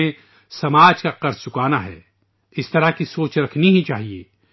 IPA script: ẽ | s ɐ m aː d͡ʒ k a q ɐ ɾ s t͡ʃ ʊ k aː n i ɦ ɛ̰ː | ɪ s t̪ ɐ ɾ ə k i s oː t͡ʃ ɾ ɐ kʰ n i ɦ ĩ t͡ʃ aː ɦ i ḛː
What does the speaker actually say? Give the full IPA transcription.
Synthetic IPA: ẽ | s ɐ m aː d͡ʒ k a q ɐ ɾ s t͡ʃ ʊ k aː n a ɦ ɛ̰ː | ɪ s t̪ ɐ ɾ a k i s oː t͡ʃ ɾ ɐ kʰ n i ɦ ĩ t͡ʃ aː ɦ i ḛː